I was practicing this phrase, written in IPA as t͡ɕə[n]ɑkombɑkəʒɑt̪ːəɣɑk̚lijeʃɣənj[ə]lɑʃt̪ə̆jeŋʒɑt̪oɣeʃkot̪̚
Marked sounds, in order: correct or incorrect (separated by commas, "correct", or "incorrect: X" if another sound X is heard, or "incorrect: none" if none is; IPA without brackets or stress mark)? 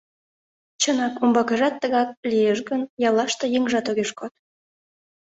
correct, incorrect: ɑ